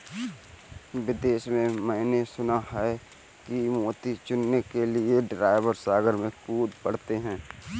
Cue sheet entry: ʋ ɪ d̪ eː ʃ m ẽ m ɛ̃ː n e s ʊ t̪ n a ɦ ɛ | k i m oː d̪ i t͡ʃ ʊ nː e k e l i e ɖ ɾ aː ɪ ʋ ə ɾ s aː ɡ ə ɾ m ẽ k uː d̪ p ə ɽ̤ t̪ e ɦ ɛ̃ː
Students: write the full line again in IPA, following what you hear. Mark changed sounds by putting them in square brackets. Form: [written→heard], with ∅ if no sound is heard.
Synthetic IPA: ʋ ɪ d̪ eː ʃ m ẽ m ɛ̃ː n e s ʊ [t̪→∅] n a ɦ ɛ | k i m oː [d̪→t̪] i t͡ʃ ʊ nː e k e l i e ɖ ɾ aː ɪ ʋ ə ɾ s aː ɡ ə ɾ m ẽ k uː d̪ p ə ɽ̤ t̪ e ɦ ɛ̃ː